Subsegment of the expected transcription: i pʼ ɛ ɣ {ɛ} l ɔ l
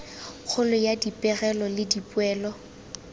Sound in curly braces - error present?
no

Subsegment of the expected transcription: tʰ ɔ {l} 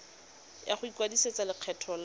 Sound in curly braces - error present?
no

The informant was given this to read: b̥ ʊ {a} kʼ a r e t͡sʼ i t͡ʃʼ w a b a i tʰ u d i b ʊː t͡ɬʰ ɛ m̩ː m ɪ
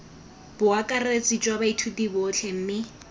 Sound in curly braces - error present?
no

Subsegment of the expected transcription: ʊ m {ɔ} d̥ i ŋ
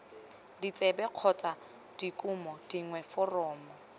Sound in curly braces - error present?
no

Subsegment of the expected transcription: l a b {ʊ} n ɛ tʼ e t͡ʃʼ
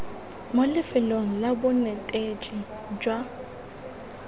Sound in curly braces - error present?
no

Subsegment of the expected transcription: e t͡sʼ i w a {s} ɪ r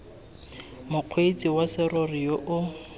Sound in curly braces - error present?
no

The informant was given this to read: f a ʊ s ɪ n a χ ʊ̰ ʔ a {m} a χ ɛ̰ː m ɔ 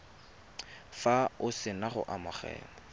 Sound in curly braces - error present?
no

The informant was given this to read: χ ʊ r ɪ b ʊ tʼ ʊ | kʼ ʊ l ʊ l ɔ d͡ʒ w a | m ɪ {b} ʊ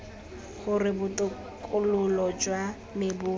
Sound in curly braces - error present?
no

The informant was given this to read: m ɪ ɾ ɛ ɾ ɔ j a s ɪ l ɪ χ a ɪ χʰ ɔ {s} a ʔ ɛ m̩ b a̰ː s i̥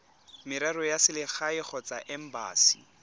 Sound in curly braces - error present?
yes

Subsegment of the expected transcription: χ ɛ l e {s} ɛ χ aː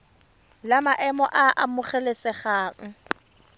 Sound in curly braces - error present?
no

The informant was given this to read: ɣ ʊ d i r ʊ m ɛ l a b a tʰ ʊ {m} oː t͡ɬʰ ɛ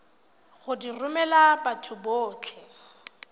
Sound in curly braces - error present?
yes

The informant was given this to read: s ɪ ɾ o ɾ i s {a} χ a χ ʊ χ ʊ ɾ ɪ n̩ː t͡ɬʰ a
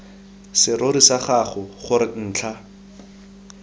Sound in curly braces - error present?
no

